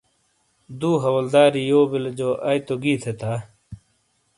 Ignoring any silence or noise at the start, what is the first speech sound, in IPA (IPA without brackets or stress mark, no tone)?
d̪